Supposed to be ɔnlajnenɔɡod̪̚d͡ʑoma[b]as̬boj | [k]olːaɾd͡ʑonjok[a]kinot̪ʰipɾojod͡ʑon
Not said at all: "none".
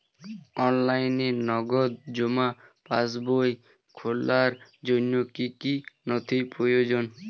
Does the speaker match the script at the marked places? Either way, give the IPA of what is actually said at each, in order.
p, kʰ, i

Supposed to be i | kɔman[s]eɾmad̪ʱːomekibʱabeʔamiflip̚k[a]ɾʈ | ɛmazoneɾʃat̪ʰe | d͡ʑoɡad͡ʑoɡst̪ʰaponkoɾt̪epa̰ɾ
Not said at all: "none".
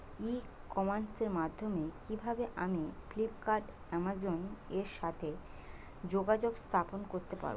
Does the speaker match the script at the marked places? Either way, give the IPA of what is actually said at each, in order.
s, a

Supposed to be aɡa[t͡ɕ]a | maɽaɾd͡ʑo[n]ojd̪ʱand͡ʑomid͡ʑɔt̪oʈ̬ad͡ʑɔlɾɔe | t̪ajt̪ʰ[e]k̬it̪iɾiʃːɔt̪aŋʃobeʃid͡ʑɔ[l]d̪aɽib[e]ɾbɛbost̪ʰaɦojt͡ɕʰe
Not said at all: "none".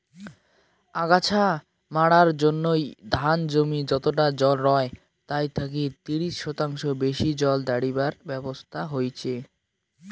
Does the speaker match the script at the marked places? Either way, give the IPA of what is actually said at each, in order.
t͡ɕʰ, nː, a, l, a

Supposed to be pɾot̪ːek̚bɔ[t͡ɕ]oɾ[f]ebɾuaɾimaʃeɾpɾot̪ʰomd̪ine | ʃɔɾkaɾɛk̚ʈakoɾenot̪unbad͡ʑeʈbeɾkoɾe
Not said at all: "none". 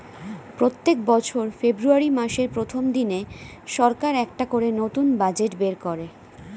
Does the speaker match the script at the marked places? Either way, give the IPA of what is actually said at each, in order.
t͡ɕʰ, f

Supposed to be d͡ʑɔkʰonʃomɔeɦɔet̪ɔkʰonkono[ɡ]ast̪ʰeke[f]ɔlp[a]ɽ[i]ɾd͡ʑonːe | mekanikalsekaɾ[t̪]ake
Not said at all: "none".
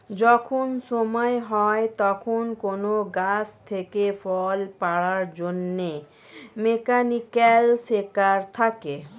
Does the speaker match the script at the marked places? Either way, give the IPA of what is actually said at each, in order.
ɡ, f, a, a, t̪ʰ

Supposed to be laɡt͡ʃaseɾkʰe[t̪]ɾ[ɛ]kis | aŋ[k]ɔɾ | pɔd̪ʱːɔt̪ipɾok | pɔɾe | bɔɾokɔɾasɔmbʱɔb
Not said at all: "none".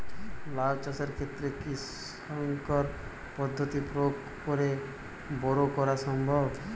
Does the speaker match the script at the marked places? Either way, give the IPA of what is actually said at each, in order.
t̪, e, k

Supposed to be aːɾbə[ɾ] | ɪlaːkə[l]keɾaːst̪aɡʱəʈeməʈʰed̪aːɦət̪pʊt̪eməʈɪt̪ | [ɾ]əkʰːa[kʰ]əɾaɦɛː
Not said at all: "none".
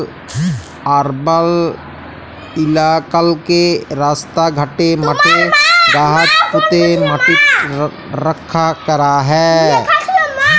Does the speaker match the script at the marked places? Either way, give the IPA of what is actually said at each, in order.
l, l, ɾ, k

